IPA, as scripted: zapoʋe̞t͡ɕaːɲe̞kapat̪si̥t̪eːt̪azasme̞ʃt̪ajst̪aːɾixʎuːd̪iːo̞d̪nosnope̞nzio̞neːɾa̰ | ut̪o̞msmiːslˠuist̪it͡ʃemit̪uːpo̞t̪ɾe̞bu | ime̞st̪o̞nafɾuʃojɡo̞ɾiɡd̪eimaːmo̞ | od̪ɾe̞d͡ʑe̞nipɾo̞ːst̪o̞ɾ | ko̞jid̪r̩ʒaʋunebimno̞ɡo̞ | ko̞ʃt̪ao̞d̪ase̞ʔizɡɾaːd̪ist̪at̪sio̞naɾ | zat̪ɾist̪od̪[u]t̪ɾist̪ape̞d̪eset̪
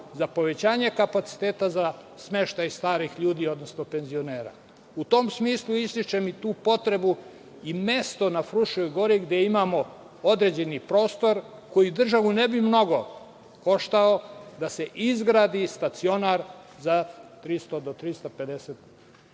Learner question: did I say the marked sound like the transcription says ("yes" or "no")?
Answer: no